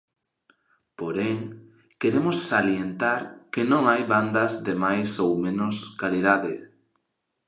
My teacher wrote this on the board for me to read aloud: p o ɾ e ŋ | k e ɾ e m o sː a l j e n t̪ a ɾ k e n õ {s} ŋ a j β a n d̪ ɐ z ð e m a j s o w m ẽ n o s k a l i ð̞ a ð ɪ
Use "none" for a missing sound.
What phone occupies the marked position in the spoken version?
none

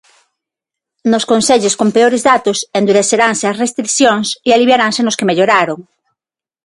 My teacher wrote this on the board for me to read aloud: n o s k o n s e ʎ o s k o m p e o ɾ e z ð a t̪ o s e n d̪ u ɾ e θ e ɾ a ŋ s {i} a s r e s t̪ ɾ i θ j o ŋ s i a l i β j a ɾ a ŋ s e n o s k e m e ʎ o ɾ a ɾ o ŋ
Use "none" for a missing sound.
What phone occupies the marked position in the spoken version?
e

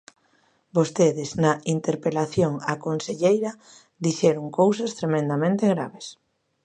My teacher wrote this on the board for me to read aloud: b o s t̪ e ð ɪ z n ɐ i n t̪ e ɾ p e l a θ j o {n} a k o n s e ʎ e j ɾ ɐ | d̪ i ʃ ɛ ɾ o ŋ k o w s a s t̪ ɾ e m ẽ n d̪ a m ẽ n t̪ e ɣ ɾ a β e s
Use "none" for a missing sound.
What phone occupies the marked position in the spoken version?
ŋ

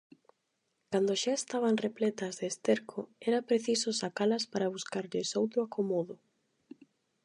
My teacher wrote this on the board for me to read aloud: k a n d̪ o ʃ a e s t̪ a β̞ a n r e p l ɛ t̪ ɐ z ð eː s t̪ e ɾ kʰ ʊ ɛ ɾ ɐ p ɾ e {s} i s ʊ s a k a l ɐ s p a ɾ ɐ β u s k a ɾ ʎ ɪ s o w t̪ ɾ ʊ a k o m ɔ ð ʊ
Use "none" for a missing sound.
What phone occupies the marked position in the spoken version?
θ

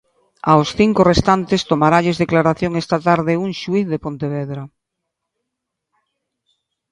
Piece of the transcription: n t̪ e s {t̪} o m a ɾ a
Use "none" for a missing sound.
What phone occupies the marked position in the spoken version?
t̪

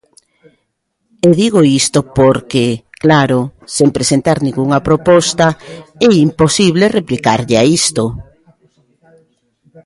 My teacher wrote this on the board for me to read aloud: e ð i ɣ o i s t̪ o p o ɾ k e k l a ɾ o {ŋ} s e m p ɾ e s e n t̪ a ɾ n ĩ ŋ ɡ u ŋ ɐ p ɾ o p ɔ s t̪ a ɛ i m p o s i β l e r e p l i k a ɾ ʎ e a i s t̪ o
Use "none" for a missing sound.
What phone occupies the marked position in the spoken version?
none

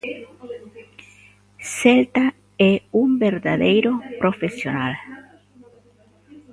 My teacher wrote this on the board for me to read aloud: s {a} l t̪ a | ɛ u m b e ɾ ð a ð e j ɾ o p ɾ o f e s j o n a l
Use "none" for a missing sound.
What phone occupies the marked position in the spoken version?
e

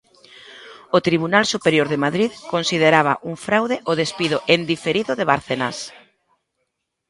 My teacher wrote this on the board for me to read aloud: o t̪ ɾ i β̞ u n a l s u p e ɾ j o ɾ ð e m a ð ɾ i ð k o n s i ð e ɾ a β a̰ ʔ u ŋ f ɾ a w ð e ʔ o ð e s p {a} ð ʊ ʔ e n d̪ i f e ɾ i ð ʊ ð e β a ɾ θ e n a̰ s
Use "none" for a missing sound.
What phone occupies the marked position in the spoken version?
i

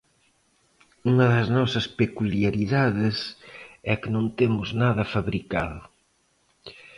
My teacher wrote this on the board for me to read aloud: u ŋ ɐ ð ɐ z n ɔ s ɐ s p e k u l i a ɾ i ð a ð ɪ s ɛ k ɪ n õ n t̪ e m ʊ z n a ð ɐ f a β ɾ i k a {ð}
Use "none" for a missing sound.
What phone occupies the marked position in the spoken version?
ð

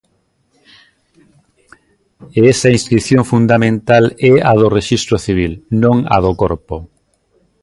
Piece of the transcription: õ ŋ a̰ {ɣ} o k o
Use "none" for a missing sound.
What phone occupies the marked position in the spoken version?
ð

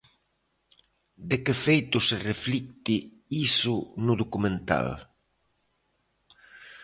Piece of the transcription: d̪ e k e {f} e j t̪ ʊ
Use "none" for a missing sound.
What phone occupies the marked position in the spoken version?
f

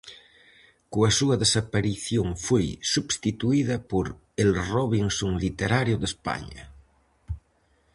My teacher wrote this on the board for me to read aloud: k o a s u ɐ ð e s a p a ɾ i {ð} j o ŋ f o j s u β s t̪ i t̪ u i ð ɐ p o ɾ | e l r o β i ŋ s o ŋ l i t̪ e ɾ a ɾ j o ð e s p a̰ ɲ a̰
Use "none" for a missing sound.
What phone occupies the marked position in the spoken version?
θ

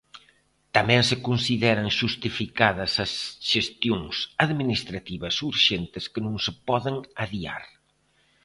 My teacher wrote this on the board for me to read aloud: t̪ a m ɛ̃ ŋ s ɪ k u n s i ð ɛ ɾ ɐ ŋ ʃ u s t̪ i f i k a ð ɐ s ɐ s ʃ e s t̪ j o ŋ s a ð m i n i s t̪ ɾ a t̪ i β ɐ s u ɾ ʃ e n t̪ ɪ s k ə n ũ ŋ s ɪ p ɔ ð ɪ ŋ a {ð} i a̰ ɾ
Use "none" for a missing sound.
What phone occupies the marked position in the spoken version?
ð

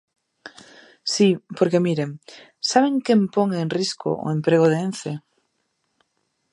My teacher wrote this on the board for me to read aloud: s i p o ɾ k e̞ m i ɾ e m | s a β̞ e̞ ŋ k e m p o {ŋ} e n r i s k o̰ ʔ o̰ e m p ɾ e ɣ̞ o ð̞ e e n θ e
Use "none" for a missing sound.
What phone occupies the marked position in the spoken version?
ŋ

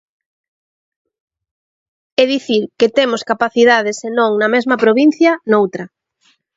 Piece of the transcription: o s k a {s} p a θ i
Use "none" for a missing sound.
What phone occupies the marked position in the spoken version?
none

